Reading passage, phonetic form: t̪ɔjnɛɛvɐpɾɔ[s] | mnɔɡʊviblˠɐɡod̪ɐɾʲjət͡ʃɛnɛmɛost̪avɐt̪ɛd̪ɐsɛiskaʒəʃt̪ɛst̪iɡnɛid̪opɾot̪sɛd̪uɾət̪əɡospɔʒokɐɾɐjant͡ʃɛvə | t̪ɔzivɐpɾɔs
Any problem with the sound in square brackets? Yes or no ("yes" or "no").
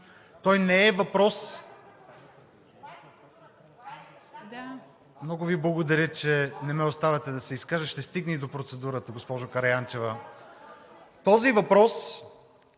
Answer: no